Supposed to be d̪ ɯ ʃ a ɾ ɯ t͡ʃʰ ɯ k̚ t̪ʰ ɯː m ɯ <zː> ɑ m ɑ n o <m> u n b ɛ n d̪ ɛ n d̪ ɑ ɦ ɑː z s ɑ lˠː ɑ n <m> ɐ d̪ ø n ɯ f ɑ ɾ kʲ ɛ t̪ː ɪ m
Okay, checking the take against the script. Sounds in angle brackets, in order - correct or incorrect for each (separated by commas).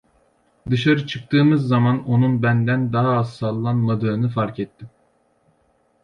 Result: correct, incorrect, correct